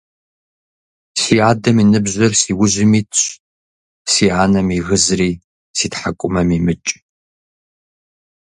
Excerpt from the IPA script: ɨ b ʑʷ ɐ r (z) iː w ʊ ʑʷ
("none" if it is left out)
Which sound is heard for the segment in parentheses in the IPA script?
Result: s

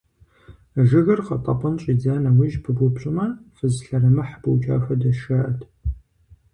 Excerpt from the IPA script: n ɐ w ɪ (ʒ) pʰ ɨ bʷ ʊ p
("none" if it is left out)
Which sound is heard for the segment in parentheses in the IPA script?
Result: ʒ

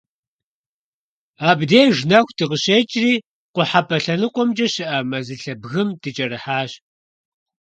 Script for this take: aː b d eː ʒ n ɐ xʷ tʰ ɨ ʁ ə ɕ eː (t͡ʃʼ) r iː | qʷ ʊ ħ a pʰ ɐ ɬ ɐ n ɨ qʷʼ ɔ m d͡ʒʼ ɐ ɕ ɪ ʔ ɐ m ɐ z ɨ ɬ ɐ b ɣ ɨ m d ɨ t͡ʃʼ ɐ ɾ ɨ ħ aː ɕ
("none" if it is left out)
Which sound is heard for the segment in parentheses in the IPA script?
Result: t͡ʃʼ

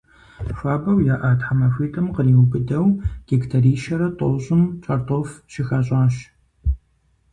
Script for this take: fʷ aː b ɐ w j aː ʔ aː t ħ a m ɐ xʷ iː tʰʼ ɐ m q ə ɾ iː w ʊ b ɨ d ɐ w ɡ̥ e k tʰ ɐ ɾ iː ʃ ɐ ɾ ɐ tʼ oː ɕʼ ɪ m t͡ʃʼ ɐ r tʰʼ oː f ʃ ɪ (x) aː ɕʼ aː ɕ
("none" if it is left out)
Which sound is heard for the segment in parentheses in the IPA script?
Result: x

